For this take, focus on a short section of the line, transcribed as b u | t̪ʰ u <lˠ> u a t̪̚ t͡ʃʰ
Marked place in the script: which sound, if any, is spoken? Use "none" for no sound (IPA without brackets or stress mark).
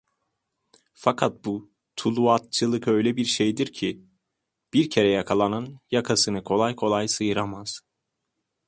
lˠ